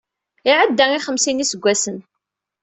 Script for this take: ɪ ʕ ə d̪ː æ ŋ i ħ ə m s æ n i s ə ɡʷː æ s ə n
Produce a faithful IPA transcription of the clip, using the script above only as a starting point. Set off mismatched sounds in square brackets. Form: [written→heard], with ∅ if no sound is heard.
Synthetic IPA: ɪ ʕ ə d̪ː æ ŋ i [ħ→χ] ə m s [æ→i] n i s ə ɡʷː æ s ə n